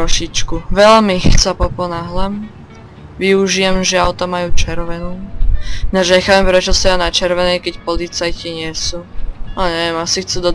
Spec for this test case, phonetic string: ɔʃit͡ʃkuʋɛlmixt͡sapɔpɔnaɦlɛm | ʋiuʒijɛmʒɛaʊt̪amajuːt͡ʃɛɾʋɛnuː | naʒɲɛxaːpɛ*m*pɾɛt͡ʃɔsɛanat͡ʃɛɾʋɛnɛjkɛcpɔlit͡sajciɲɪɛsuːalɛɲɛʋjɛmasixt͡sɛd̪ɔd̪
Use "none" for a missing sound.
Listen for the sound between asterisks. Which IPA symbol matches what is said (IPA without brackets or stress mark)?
m